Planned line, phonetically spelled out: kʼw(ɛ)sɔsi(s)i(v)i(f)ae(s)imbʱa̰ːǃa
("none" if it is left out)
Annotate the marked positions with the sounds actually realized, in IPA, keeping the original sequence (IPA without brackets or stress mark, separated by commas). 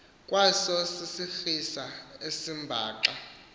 a, s, f, s, s